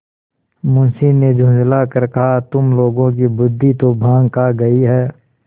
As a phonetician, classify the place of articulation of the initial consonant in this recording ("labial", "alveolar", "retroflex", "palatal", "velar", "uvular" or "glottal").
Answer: labial